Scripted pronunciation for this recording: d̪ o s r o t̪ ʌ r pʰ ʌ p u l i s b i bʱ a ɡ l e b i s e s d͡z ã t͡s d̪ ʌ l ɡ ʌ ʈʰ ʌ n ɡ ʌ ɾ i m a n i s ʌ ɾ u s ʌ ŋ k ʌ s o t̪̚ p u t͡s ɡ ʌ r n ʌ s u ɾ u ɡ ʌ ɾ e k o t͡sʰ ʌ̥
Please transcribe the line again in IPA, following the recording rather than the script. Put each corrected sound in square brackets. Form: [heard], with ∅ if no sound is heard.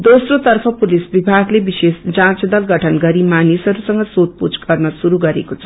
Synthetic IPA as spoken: d̪ o s r o t̪ ʌ r pʰ ʌ p u l i s b i bʱ a ɡ l e b i s e s d͡z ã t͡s d̪ ʌ l ɡ ʌ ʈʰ ʌ n ɡ ʌ ɾ i m a n i s ʌ ɾ u s ʌ ŋ [ɡ] ʌ s o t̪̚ p u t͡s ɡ ʌ r n ʌ s u ɾ u ɡ ʌ ɾ e k o t͡sʰ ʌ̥